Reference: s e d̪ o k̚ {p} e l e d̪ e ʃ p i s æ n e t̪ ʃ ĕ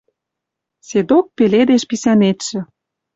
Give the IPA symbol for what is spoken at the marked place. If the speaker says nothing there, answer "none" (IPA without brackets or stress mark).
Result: p